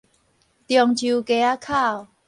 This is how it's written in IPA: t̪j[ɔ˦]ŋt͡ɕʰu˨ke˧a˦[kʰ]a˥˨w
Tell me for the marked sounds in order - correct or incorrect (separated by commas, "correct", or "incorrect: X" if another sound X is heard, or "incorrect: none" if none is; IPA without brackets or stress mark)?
incorrect: ɔ˨˩, correct